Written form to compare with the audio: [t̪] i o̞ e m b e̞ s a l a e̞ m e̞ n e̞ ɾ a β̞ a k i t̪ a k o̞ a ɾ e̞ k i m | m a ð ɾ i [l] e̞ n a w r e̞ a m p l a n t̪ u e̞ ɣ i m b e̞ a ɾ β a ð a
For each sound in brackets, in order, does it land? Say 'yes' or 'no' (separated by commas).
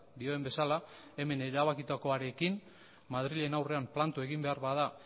no, no